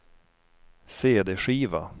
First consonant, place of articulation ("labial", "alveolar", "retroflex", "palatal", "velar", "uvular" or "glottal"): alveolar